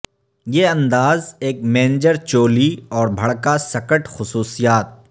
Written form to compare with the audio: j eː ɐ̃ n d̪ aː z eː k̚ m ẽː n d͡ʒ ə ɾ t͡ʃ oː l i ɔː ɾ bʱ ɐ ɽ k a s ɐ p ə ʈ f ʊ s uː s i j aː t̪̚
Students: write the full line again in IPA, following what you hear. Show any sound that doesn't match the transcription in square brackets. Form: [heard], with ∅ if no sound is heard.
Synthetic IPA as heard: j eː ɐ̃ n d̪ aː z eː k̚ m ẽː n d͡ʒ ə ɾ t͡ʃ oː l i ɔː ɾ bʱ ɐ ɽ k a s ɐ [k] ə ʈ [x] ʊ s uː s i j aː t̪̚